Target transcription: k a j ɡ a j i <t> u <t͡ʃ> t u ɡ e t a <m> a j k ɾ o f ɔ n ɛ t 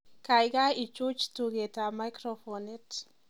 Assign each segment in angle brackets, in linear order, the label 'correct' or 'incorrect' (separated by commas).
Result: incorrect, correct, correct